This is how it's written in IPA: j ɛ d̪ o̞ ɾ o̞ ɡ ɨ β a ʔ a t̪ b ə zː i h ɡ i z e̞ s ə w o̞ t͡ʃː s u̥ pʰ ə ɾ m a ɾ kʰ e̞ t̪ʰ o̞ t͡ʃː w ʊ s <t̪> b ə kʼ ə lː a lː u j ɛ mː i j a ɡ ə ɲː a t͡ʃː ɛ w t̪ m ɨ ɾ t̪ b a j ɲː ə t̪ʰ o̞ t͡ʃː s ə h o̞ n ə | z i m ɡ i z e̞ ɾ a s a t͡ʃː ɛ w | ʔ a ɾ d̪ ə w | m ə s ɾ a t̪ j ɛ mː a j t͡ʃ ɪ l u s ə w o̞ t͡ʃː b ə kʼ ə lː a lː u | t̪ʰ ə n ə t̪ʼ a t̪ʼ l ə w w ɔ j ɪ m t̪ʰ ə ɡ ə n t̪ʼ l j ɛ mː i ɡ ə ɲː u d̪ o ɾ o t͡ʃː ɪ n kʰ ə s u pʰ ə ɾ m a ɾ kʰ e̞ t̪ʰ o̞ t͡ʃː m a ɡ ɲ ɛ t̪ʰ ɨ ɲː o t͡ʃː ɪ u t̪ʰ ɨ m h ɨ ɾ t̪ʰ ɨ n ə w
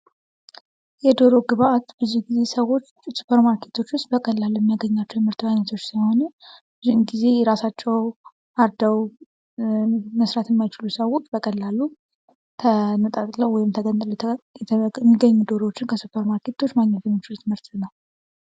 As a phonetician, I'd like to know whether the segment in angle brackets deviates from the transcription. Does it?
no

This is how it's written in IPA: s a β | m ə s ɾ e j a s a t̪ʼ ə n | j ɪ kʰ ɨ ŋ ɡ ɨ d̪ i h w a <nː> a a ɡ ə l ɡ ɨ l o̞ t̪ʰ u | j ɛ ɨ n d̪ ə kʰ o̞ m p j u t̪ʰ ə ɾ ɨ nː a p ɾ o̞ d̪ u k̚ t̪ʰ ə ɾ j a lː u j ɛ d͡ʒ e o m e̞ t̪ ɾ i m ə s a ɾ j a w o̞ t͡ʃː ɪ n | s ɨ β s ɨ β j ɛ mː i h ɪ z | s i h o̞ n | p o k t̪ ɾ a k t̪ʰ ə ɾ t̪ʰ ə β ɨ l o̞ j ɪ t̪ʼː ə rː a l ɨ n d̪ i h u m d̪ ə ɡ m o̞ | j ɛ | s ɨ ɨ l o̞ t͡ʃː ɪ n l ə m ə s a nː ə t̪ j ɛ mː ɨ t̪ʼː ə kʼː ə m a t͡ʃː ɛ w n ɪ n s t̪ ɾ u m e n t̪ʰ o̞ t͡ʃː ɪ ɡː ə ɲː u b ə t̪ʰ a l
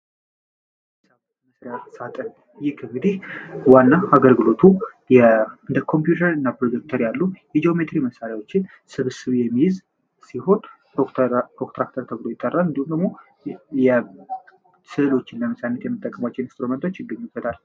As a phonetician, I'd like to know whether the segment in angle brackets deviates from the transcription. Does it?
no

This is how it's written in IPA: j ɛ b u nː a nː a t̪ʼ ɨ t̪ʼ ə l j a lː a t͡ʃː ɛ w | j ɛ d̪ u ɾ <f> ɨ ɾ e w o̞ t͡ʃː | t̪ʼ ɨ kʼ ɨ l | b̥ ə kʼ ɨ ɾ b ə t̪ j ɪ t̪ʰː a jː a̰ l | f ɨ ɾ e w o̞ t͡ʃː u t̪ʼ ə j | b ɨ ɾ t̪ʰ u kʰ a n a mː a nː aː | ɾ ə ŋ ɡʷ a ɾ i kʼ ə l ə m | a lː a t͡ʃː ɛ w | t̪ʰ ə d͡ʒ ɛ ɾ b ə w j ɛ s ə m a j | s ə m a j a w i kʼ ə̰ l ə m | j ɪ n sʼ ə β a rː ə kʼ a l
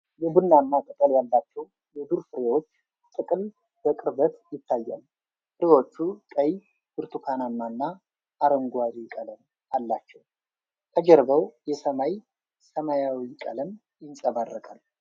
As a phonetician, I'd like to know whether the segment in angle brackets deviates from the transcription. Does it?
no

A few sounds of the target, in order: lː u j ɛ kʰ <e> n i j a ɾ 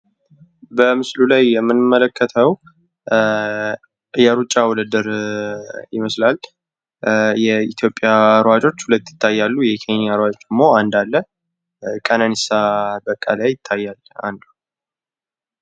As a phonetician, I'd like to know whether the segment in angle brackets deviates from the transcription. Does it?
no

